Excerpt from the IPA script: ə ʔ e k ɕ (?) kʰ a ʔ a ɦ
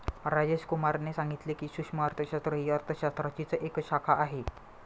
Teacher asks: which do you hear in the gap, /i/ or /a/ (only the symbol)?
a